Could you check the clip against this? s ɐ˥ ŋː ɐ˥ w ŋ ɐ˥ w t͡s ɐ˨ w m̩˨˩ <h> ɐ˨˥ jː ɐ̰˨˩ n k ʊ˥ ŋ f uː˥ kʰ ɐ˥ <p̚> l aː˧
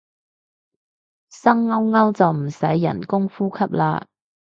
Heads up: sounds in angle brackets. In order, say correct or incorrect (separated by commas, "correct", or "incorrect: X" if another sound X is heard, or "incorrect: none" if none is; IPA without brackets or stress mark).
incorrect: s, correct